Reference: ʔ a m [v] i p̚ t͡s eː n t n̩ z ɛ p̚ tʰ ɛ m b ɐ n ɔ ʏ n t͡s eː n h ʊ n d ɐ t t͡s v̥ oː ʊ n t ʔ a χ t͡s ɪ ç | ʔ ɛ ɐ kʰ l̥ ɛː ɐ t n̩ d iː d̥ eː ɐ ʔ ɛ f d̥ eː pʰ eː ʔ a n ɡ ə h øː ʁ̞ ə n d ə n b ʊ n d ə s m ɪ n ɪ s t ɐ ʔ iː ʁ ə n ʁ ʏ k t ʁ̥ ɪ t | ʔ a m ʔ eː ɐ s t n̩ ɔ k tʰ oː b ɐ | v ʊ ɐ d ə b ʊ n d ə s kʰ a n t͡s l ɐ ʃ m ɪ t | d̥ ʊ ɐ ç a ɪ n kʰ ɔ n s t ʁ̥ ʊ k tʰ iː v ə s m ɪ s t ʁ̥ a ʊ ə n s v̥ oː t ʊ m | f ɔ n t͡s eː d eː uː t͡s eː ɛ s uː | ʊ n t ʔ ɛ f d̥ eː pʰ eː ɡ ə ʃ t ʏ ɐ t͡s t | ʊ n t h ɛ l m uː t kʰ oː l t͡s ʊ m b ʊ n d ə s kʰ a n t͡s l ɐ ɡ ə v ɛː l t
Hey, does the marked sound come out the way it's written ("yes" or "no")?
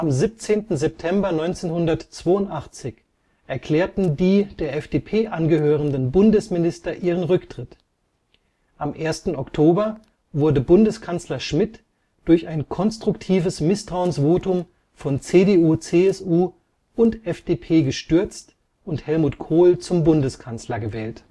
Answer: no